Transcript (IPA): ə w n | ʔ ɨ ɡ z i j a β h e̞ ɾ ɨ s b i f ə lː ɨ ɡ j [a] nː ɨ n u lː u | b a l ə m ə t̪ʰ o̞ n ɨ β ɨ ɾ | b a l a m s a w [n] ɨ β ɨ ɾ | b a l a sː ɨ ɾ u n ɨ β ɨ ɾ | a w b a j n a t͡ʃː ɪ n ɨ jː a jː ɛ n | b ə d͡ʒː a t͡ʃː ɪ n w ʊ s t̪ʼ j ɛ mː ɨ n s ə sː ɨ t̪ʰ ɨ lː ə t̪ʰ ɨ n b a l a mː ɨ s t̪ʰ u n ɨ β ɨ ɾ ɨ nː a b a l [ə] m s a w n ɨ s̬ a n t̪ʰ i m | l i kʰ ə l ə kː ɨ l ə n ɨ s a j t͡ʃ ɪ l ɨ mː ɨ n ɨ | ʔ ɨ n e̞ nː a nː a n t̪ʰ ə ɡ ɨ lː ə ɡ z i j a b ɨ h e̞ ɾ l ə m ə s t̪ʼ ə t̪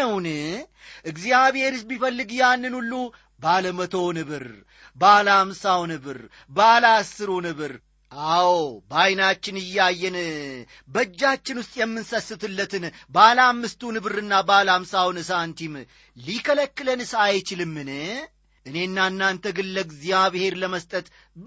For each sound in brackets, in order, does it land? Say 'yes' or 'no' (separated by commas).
yes, yes, no